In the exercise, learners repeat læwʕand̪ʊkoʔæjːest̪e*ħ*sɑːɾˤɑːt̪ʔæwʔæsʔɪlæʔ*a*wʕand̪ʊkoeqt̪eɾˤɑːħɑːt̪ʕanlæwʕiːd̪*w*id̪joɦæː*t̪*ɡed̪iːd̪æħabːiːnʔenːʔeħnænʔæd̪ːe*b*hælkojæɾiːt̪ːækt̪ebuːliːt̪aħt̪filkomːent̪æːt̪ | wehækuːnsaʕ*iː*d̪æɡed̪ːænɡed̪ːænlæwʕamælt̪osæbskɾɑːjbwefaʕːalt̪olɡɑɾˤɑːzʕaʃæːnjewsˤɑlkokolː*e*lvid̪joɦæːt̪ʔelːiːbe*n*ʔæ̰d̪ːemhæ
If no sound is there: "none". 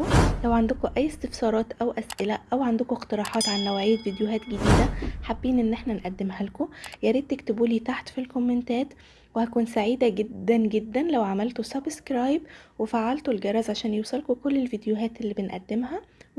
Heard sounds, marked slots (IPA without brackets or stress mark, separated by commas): f, æ, v, t̪, m, iː, e, n